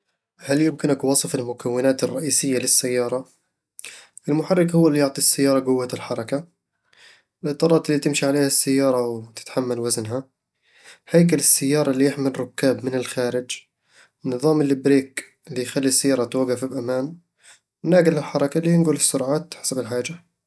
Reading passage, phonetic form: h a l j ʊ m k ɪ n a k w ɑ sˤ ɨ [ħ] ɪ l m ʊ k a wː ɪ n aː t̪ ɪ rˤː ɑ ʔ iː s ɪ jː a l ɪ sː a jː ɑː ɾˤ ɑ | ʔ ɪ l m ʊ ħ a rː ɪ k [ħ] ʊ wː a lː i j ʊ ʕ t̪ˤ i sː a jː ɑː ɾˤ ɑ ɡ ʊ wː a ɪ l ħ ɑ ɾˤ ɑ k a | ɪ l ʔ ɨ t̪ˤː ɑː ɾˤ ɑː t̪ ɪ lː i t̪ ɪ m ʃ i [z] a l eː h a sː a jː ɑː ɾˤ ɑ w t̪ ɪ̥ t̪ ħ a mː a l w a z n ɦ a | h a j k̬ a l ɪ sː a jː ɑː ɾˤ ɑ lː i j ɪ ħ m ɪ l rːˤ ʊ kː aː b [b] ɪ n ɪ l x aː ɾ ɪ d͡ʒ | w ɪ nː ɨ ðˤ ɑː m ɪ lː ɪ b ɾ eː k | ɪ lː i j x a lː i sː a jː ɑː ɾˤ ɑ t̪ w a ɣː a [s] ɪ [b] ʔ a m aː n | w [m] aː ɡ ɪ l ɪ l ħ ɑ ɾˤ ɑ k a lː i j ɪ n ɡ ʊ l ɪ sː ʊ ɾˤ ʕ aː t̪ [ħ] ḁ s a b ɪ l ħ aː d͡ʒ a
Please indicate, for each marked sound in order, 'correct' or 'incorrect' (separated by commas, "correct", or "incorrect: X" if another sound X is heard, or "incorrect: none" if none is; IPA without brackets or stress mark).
incorrect: f, incorrect: h, incorrect: ʕ, incorrect: m, incorrect: f, correct, incorrect: n, correct